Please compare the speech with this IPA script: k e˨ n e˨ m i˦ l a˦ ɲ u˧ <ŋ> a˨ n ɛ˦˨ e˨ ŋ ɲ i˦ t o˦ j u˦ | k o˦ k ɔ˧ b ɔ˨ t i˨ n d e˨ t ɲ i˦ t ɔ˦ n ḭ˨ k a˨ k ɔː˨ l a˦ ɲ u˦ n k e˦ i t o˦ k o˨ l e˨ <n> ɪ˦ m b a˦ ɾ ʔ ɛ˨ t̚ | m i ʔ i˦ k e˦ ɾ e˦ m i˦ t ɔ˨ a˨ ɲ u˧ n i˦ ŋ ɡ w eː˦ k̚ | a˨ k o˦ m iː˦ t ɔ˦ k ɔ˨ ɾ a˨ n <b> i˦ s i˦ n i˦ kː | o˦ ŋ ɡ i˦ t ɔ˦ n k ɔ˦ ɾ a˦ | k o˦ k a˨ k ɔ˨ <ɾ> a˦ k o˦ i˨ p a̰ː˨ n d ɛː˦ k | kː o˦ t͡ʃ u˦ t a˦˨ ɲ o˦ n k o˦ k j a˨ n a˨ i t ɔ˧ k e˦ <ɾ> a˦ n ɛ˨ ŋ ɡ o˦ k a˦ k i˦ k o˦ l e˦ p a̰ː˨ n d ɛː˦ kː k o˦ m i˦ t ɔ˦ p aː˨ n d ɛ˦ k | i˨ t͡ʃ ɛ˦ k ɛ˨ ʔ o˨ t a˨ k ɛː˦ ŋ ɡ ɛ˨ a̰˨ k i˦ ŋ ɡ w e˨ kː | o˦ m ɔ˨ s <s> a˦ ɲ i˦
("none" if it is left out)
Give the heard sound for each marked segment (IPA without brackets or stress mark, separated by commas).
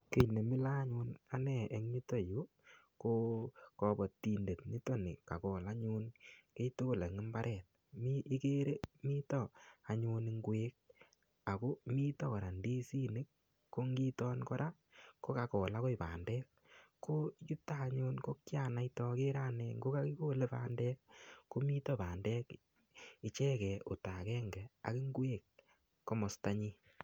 n, ŋ, d, l, ɾ, t